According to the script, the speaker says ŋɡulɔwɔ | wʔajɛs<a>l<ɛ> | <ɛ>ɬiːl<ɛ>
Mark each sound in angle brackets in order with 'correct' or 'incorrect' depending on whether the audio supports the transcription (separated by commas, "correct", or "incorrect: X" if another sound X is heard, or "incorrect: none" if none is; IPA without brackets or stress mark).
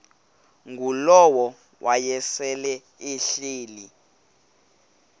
incorrect: ɛ, correct, incorrect: i, incorrect: i